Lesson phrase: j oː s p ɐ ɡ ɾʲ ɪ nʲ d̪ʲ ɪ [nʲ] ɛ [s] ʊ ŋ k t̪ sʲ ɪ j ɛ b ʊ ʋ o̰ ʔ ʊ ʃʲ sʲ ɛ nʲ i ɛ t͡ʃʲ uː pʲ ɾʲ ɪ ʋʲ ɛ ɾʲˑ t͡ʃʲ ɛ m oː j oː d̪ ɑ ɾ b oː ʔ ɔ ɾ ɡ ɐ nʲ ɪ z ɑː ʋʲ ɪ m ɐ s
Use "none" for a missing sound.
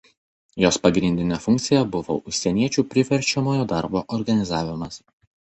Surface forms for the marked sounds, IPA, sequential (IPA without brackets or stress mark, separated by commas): nʲ, f